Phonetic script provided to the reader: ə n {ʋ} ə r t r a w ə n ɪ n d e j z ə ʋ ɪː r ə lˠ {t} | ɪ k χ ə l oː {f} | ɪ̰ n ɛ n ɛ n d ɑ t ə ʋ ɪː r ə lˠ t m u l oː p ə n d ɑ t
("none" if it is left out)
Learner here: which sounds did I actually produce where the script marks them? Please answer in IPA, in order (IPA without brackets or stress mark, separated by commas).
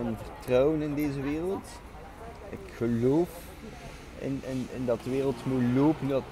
v, t, f